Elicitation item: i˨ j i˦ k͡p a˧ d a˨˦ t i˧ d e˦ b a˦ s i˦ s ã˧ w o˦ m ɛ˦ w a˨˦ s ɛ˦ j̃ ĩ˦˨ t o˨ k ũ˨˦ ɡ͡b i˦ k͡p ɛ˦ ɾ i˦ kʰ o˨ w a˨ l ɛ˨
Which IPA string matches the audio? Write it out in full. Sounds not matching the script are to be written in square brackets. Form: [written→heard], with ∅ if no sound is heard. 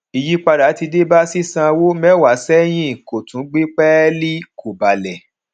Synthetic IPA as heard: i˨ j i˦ k͡p a˧ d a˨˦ t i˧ d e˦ b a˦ s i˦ s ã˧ w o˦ m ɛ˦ w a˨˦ s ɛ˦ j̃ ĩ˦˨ [t→k] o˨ [k→t] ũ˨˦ ɡ͡b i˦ k͡p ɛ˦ [ɾ→l] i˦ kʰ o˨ [w→b] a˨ l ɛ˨